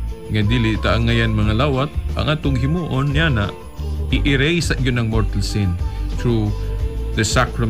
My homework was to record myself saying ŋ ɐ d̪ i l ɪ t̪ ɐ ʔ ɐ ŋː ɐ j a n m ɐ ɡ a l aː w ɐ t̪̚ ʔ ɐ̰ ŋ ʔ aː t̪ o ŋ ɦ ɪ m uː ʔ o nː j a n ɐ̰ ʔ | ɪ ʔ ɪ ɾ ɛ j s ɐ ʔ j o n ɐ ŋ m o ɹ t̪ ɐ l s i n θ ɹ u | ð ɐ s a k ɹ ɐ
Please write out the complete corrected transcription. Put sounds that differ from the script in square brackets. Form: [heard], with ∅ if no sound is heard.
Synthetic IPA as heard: ŋ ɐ d̪ i l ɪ t̪ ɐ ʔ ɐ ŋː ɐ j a n m ɐ [ŋ] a l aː w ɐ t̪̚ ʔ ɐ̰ ŋ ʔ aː t̪ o ŋ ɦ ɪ m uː ʔ o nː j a n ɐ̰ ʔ | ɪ ʔ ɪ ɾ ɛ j s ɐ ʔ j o n ɐ ŋ m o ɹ t̪ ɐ l s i n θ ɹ u | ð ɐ s a k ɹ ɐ